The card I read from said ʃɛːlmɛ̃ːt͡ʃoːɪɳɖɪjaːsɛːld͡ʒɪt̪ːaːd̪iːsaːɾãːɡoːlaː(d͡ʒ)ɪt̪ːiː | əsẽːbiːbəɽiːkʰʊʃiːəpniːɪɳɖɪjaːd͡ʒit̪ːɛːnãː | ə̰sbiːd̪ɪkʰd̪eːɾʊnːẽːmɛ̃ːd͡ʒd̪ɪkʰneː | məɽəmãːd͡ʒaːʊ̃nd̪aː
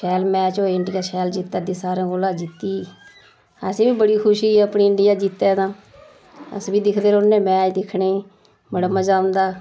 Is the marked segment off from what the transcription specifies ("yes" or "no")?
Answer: no